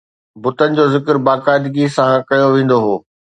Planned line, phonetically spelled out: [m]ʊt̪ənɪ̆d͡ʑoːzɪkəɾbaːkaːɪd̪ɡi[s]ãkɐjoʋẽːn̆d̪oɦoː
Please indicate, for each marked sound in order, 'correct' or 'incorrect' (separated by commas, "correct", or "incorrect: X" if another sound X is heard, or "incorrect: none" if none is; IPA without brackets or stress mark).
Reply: incorrect: b, correct